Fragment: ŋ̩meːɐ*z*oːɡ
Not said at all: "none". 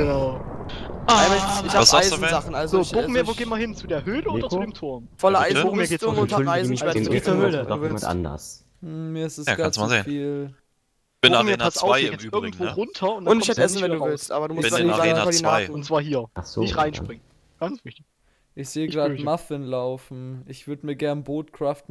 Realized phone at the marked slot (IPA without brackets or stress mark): v